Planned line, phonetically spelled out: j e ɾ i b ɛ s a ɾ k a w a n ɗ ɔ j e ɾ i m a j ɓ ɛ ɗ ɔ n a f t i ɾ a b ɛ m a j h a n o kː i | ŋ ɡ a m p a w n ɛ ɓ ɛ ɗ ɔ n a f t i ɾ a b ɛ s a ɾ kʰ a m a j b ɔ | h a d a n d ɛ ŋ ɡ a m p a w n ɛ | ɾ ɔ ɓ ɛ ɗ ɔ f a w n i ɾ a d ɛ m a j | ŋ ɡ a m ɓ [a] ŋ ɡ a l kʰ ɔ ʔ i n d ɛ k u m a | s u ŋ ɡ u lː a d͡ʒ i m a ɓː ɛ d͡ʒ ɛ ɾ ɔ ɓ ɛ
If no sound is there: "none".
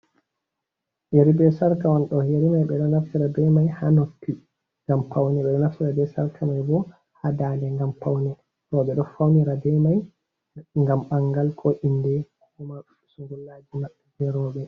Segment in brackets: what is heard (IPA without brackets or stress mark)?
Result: a